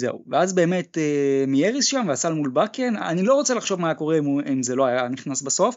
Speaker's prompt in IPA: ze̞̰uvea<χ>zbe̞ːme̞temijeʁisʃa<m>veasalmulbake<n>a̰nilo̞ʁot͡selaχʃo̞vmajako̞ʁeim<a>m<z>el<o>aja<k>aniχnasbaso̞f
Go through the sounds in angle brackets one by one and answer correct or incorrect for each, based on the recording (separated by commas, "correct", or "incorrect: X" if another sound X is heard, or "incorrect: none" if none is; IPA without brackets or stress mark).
incorrect: none, correct, correct, incorrect: i, correct, correct, incorrect: none